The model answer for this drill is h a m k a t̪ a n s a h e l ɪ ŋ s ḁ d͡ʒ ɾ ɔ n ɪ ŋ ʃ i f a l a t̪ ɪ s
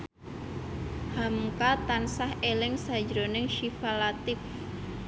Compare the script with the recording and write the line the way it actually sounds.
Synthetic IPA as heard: h a m k a t̪ a n s a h e l ɪ ŋ s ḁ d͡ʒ ɾ o n ɪ ŋ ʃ i f a l a t̪ ɪ f